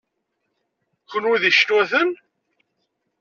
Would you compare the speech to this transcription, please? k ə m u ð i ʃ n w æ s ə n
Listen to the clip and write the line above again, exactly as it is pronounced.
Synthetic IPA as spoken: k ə n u ð i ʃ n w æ θ ə n